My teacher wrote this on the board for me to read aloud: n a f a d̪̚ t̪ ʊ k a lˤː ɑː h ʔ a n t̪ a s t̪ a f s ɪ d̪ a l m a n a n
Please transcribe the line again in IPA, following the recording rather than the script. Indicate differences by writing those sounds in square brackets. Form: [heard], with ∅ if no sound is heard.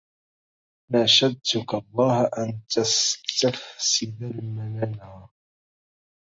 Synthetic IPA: n a [ʃ] a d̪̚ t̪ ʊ k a lˤː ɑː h ʔ a n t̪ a s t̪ a f s ɪ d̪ a l m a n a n